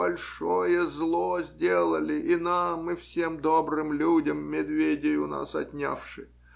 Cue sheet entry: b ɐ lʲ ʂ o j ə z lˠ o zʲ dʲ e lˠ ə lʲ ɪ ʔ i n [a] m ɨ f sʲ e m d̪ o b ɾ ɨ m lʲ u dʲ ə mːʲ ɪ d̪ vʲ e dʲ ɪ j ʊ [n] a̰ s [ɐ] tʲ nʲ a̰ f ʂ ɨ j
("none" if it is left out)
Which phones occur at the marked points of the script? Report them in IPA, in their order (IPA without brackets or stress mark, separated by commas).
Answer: a, n, ɐ